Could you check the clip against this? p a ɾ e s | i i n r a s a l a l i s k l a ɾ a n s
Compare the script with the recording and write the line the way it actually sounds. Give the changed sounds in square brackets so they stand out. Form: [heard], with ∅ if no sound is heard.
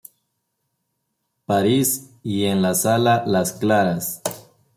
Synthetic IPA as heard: p a ɾ [i] s | i [e] n [l] a s a l a l [a] s k l a ɾ a [∅] s

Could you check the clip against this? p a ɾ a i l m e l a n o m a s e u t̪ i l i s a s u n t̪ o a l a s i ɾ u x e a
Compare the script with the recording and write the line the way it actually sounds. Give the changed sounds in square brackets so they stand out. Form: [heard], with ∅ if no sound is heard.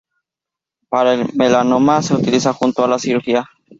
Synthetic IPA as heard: p a ɾ a [e] l m e l a n o m a s e u t̪ i l i s a [x] u n t̪ o a l a s i ɾ u x [i] a

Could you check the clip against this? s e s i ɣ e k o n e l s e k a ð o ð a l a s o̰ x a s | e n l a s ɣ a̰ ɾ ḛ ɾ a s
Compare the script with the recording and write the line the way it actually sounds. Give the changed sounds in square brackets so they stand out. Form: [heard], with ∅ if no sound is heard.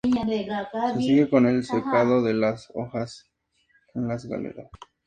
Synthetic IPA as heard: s e s i ɣ e k o n e l s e k a ð o ð [e] l a s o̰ x a s | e n l a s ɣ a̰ [l] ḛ ɾ a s

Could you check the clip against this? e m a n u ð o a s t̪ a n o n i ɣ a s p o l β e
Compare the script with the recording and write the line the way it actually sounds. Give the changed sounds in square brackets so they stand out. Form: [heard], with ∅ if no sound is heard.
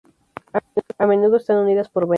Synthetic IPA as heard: [a] m [e] n u ð o [e] s t̪ a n [u] n i [ð] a s p o [ɾ] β e

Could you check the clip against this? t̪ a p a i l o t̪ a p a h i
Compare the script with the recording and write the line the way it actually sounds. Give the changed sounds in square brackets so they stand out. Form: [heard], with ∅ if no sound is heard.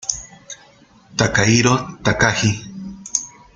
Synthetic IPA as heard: t̪ a [k] a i [ɾ] o t̪ a [k] a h i

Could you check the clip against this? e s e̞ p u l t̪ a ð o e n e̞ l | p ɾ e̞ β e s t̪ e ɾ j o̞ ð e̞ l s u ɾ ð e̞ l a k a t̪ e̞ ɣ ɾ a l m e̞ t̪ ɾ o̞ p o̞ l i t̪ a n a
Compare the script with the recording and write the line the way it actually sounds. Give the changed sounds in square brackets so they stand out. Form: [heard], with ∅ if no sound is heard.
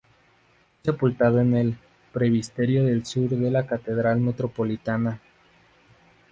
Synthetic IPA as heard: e s e̞ p u l t̪ a ð o e n e̞ l | p ɾ e̞ β [i] s t̪ e ɾ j o̞ ð e̞ l s u ɾ ð e̞ l a k a t̪ e̞ [ð] ɾ a l m e̞ t̪ ɾ o̞ p o̞ l i t̪ a n a

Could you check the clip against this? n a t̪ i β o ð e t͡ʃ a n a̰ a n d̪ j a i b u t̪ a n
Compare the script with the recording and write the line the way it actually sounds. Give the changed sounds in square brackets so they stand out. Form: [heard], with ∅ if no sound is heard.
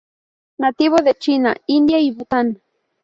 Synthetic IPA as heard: n a t̪ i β o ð e t͡ʃ [i] n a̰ [i] n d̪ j a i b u t̪ a n

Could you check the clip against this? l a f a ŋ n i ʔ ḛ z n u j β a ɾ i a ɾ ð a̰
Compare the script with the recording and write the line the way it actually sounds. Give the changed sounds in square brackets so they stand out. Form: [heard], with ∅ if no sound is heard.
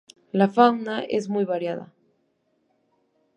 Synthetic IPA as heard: l a f a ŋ n [a] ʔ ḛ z [m] u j β a ɾ [j] a [∅] ð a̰

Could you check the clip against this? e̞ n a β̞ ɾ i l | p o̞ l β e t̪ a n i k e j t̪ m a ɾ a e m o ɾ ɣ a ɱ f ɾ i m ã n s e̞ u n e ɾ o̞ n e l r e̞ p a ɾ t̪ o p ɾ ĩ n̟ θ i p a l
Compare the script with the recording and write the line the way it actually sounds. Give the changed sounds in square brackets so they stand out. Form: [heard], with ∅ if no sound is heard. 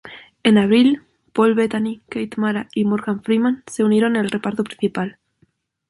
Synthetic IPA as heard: e̞ n a β̞ ɾ i l | p o̞ l β e t̪ a n i k e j t̪ m a ɾ a [i] m o ɾ ɣ a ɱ f ɾ i m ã n s e̞ u n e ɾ o̞ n e l r e̞ p a ɾ t̪ o p ɾ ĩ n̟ θ i p a l

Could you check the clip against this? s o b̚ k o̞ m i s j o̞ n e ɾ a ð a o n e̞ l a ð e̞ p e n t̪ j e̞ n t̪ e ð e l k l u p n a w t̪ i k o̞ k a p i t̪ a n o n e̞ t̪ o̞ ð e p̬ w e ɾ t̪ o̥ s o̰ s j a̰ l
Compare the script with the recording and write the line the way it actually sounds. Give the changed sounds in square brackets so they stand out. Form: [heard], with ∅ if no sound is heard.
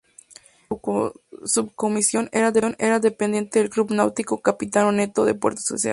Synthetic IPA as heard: s [u] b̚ k o̞ m i s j o̞ n e ɾ a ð [e] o n e̞ [ɾ] a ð e̞ p e n [d̪] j e̞ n t̪ e ð e l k l u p n a w t̪ i k o̞ k a p i t̪ a n o n e̞ t̪ o̞ ð e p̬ w e ɾ t̪ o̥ s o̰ s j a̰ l

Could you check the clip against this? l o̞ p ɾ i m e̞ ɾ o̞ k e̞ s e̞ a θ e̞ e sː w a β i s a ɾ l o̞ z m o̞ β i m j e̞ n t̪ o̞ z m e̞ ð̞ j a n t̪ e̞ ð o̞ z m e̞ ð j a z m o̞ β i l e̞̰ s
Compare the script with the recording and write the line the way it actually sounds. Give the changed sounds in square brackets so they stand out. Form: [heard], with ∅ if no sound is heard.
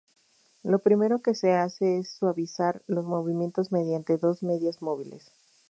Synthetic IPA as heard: l o̞ p ɾ i m e̞ ɾ o̞ k e̞ s e̞ a [s] e̞ e sː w a β i s a ɾ l o̞ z m o̞ β i m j e̞ n t̪ o̞ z m e̞ ð̞ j a n t̪ e̞ ð o̞ z m e̞ ð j a z m o̞ β i l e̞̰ s

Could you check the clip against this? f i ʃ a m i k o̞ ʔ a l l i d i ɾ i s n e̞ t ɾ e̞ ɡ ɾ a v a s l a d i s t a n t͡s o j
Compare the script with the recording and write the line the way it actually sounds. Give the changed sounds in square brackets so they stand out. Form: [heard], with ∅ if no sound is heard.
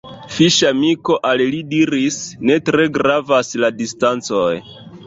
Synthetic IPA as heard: f i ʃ a m i k o̞ ʔ a l l i d i ɾ i s n e̞ t ɾ e̞ ɡ ɾ a v a s l a d i s t a n t͡s o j

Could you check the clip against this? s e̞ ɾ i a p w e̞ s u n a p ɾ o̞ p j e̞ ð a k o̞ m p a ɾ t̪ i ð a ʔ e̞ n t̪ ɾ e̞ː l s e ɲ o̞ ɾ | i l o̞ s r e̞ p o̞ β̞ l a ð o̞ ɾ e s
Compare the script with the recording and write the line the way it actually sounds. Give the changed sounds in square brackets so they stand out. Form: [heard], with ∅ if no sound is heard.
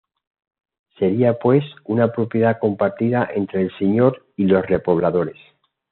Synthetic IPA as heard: s e̞ ɾ i a p w e̞ s u n a p ɾ o̞ p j e̞ ð a k o̞ m p a ɾ t̪ i ð a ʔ e̞ n t̪ ɾ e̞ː l s e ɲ o̞ ɾ | i l o̞ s r e̞ p o̞ β̞ l a ð o̞ ɾ e s

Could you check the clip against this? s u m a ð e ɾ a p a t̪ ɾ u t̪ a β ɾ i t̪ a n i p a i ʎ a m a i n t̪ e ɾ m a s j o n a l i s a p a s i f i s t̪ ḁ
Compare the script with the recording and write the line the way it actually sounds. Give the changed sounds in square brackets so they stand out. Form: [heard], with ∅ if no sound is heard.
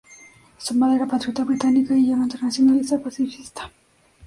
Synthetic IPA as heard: s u m a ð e ɾ a p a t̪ ɾ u t̪ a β ɾ i t̪ a n i [k] a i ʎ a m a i n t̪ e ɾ [n] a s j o n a l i s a p a s i f i s t̪ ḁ

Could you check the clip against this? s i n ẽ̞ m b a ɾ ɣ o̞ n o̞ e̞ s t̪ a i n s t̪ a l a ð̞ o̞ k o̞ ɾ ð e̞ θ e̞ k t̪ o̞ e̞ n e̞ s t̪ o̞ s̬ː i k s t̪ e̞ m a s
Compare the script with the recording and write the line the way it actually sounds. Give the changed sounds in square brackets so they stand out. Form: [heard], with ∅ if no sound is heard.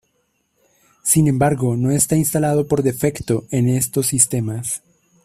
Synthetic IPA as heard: s i n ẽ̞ m b a ɾ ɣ o̞ n o̞ e̞ s t̪ a i n s t̪ a l a ð̞ o̞ [p] o̞ ɾ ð e̞ [f] e̞ k t̪ o̞ e̞ n e̞ s t̪ o̞ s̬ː i [∅] s t̪ e̞ m a s

